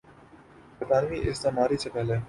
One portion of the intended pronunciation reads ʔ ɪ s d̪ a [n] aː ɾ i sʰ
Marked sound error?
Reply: yes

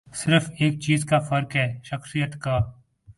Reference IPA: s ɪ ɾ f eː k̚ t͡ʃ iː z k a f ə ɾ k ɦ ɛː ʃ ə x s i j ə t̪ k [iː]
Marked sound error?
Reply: yes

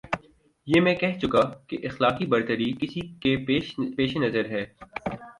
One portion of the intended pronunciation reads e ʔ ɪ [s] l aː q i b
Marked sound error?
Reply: yes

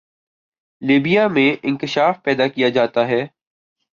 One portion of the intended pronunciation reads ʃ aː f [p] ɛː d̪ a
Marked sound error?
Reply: no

